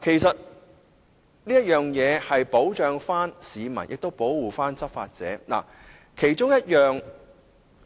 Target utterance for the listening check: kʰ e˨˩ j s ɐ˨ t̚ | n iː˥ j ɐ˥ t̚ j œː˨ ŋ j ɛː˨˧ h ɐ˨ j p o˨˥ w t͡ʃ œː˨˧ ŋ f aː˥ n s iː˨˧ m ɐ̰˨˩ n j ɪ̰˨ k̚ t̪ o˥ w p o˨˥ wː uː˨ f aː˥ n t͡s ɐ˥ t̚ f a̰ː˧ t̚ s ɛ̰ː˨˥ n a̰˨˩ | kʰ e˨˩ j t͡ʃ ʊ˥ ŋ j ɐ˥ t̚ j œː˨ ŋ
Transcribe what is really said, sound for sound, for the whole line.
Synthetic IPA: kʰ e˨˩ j s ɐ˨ t̚ | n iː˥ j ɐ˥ t̚ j œː˨ ŋ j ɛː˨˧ h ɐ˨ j p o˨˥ w t͡ʃ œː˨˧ ŋ f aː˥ n s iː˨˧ m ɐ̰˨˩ n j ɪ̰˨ k̚ t̪ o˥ w p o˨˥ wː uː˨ f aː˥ n t͡s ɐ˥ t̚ f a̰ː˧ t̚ t͡s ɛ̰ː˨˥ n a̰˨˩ | kʰ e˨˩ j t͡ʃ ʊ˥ ŋ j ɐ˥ t̚ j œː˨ ŋ